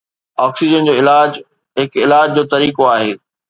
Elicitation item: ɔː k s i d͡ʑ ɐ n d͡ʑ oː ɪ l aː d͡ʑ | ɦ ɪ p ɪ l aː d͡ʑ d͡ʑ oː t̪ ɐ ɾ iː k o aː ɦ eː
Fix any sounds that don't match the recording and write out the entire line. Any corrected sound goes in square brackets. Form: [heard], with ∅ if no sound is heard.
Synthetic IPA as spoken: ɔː k s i d͡ʑ [ə] n d͡ʑ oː ɪ l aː d͡ʑ | ɦ ɪ [k] ɪ l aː d͡ʑ d͡ʑ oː t̪ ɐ ɾ iː k o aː ɦ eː